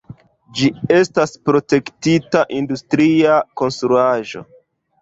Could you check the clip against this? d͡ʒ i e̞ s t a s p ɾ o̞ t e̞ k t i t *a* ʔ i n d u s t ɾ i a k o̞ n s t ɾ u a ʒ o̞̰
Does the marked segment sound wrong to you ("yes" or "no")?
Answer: no